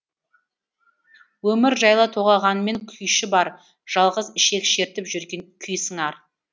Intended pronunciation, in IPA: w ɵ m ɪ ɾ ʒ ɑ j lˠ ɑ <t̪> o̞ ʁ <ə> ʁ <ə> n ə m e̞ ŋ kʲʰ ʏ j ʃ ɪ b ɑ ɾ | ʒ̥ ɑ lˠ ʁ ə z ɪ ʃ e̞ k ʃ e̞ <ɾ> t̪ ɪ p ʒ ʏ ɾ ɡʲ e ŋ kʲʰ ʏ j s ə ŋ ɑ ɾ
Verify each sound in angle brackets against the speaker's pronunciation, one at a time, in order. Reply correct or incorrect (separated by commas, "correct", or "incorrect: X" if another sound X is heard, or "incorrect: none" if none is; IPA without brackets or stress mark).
incorrect: t̪ʰ, incorrect: ɑ, incorrect: ɑ, correct